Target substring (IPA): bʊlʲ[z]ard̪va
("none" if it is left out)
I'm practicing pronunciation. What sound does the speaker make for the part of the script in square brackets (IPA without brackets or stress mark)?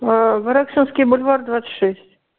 v